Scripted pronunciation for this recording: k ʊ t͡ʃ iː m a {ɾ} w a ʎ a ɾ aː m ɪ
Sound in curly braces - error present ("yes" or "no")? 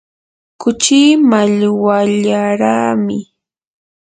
yes